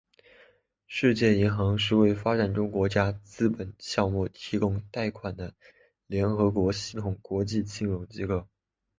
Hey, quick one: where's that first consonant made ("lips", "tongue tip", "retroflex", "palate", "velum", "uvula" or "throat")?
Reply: retroflex